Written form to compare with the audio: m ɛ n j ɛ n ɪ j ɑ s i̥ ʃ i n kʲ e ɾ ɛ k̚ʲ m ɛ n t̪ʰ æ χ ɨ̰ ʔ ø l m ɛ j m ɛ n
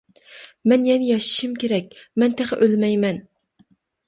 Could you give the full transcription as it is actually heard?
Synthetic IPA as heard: m ɛ n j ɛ n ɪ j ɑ ʃ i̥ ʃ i m kʲ e ɾ ɛ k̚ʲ m ɛ n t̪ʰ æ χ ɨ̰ ʔ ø l m ɛ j m ɛ n